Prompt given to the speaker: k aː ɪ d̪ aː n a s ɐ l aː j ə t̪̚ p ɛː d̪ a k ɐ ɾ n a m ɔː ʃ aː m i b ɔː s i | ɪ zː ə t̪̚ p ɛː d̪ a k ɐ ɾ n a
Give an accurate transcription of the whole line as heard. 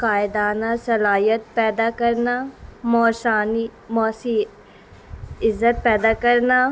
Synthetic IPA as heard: k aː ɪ d̪ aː n a s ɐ l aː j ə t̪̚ p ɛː d̪ a k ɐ ɾ n a m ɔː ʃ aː n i m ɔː s i | ɪ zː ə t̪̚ p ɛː d̪ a k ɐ ɾ n a